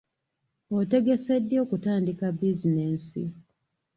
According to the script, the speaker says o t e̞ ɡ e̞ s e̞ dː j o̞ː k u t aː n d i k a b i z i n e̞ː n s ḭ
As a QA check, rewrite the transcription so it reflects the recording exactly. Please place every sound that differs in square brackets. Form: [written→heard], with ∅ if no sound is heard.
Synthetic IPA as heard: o t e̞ ɡ e̞ s e̞ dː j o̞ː k u t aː n d i k a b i z i n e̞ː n s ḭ